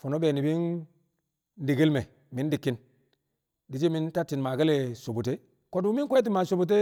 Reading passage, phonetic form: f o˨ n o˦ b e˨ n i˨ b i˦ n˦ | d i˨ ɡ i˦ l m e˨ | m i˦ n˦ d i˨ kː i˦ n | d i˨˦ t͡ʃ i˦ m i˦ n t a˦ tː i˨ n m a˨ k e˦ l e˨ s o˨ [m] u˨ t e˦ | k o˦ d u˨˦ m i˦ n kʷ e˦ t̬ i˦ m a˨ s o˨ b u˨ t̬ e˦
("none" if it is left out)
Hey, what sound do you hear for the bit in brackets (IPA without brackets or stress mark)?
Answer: b